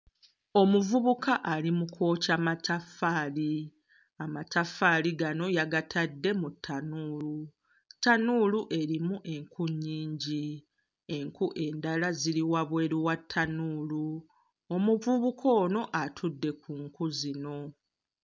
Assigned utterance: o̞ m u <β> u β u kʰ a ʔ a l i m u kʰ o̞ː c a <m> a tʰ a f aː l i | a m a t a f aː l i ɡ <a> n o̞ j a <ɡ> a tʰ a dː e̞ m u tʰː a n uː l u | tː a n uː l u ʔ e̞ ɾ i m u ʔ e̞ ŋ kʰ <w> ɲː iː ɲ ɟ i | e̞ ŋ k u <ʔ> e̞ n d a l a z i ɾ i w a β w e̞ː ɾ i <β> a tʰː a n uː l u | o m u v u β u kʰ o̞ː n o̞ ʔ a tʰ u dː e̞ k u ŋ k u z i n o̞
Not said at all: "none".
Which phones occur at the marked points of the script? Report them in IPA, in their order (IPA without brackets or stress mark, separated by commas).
v, m, a, ɡ, u, ʔ, w